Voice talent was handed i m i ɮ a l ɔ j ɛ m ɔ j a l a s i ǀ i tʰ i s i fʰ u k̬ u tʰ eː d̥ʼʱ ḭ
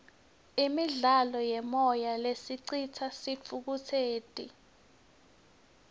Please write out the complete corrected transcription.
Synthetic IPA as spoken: i m i ɮ a l ɔ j ɛ m ɔ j a l e s i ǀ i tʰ a s i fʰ u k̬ u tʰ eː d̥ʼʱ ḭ